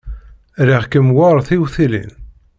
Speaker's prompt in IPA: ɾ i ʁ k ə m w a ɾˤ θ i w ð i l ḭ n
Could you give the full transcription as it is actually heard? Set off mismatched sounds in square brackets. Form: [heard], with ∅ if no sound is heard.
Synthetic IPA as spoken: ɾ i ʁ k ə m w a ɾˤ θ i w [θ] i l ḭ n